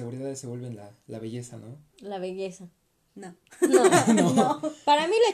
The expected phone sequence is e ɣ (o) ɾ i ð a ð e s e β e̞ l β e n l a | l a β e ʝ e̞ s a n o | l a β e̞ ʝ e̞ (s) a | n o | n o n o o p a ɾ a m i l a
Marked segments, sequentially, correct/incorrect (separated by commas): incorrect, correct